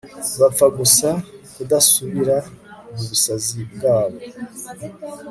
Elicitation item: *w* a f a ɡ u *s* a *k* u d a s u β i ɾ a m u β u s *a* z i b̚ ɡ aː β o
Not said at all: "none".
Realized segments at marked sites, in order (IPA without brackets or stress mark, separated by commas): β, s, k, a